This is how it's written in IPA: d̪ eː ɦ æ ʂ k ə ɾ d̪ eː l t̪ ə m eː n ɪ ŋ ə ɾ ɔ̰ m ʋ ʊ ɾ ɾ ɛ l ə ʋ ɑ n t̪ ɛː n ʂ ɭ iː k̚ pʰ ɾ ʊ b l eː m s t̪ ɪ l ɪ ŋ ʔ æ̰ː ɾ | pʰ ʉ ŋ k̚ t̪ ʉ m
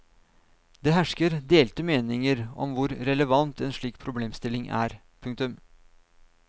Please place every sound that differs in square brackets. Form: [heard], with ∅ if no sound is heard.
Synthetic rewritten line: d̪ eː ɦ æ ʂ k ə ɾ d̪ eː l t̪ ə m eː n ɪ ŋ ə ɾ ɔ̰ m ʋ ʊ ɾ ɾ ɛ l ə ʋ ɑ n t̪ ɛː n ʂ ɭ iː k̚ pʰ ɾ ʊ b l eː m s t̪ ɪ l ɪ ŋ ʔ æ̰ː ɾ | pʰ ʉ ŋ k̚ t̪ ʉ m